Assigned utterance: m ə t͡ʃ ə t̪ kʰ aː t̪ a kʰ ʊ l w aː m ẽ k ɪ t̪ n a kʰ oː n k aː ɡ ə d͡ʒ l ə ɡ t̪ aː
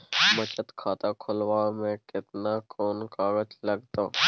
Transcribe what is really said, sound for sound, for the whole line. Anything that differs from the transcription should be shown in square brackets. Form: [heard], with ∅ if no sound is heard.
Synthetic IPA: m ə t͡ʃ ə t̪ kʰ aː t̪ a kʰ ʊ l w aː m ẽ k ɪ t̪ n a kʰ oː n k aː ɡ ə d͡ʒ l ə ɡ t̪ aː